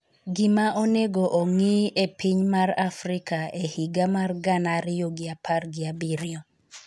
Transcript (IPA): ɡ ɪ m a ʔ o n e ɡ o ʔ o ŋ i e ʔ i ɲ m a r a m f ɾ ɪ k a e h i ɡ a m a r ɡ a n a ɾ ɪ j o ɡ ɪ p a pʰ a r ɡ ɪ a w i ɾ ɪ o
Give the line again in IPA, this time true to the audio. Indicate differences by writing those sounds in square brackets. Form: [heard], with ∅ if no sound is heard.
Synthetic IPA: ɡ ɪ m a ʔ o n e ɡ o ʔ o ŋ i e [p] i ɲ m a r a [∅] f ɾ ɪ k a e h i ɡ a m a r ɡ a n a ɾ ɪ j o ɡ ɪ [∅] a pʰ a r ɡ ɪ a [b] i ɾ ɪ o